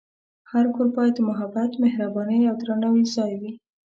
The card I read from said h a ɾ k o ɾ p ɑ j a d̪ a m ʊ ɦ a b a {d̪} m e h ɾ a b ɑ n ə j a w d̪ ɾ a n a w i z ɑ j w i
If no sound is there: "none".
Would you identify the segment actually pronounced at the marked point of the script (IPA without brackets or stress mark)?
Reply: t̪